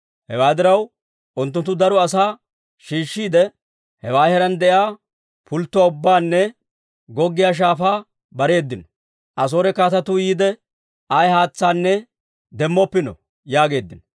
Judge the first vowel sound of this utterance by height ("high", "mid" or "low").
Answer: mid